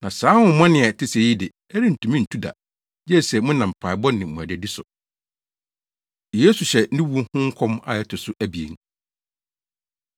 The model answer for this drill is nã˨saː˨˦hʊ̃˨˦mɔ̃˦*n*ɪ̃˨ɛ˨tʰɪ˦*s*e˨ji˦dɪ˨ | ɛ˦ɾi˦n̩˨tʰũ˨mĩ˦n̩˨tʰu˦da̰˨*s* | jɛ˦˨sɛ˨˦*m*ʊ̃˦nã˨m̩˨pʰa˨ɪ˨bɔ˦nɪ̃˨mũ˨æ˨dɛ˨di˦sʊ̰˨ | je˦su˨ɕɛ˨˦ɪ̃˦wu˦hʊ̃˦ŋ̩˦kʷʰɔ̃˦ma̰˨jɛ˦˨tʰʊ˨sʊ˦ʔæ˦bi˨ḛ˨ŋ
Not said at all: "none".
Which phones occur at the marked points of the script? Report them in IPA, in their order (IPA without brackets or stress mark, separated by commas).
n, s, none, m